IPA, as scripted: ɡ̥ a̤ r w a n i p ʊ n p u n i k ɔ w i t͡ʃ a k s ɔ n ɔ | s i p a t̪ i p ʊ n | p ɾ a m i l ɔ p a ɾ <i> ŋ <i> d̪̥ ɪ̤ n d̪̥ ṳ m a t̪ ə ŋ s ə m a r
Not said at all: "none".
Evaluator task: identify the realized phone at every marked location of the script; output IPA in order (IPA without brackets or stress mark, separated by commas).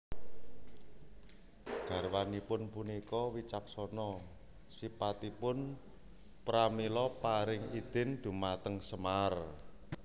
ɪ, i